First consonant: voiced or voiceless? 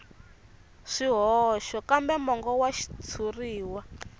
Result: voiceless